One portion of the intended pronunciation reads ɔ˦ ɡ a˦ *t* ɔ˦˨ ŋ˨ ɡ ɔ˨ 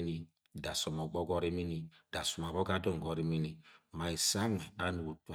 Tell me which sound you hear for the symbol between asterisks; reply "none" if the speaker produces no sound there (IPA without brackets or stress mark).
d